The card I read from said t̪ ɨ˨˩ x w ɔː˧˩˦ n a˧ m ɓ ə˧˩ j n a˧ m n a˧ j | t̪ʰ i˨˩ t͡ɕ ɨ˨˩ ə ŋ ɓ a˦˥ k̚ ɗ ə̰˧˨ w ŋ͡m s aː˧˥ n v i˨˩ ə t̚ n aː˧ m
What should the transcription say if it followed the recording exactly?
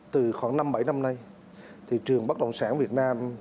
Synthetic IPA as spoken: t̪ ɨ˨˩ x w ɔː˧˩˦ n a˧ m ɓ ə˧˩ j n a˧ m n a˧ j | t̪ʰ i˨˩ t͡ɕ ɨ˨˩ ə ŋ ɓ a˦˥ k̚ ɗ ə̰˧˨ w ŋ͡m s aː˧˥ n v i˨˩ ə t̚ n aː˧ m